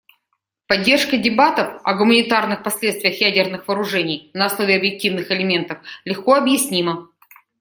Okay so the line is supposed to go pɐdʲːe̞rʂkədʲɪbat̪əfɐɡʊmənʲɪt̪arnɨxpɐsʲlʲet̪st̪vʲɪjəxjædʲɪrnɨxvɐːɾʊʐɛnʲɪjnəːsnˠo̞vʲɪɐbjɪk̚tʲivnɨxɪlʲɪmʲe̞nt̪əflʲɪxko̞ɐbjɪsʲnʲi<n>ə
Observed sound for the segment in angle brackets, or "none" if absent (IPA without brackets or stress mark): m